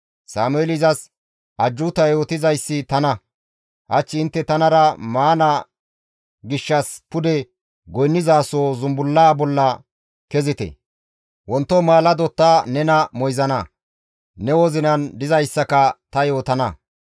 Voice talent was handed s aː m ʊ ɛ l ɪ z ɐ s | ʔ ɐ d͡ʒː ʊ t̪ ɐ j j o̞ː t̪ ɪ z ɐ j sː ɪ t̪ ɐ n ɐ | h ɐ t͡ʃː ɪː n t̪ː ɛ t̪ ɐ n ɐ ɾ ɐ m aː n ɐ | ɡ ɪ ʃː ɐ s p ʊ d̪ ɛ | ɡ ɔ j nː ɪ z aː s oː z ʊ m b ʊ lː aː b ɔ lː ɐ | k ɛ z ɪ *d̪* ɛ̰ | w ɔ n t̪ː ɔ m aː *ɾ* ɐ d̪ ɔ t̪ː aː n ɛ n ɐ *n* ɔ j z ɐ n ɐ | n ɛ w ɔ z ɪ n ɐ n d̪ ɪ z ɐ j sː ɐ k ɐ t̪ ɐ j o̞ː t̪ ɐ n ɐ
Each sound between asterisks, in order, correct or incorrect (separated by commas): incorrect, incorrect, incorrect